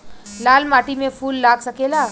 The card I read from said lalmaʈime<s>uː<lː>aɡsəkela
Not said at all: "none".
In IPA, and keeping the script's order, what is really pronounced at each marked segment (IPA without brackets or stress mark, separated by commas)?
f, lː